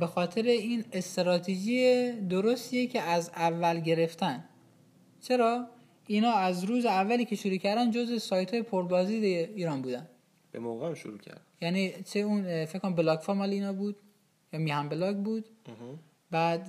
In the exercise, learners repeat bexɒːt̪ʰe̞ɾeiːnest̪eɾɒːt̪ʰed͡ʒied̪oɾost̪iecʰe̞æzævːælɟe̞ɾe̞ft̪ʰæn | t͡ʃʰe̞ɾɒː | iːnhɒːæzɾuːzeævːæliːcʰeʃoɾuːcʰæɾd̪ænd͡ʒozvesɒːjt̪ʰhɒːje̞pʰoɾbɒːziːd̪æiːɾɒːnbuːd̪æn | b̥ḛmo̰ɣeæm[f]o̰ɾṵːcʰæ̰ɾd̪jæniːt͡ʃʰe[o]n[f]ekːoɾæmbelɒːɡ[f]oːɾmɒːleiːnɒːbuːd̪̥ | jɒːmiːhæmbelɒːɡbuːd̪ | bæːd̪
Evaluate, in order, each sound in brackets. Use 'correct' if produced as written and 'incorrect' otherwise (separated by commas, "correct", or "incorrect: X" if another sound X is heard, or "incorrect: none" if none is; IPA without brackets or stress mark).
incorrect: ʃ, incorrect: u, correct, correct